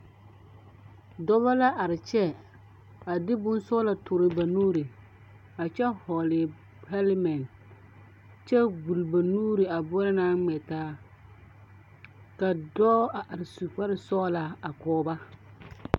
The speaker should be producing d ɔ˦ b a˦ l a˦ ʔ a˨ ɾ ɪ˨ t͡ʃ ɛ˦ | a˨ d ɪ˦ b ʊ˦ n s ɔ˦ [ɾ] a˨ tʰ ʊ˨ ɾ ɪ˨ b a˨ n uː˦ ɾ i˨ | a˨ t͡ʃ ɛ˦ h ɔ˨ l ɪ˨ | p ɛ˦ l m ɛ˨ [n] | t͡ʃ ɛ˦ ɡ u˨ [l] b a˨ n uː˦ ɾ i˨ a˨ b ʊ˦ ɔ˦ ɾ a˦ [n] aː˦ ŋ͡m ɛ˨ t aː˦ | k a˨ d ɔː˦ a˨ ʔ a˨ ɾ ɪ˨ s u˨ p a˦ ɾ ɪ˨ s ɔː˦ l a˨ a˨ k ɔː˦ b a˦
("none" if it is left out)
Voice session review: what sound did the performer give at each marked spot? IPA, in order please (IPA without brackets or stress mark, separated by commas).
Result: l, n, l, n